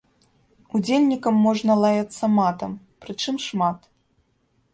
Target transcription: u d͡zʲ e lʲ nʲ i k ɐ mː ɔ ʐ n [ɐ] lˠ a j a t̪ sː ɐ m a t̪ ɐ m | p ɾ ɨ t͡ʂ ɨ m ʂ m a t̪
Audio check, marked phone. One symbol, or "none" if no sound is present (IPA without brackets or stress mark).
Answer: ɐ